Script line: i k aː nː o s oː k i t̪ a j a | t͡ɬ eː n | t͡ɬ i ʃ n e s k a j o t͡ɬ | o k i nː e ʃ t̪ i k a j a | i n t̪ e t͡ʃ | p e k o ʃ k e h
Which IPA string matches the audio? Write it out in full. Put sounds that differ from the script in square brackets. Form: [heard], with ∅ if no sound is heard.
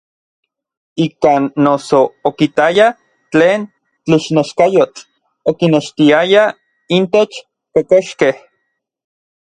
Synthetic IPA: i k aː nː o s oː k i t̪ a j a | t͡ɬ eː n | t͡ɬ i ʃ n e [ʃ] k a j o t͡ɬ | o k i [n] e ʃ t̪ i [∅] a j a | i n t̪ e t͡ʃ | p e k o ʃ k e h